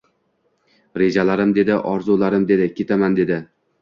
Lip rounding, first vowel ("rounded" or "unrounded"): unrounded